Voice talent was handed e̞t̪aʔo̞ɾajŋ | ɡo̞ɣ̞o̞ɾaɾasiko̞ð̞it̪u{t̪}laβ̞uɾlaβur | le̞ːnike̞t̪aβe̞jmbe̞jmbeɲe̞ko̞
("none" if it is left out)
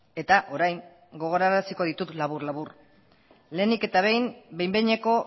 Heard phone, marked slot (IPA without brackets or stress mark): t̪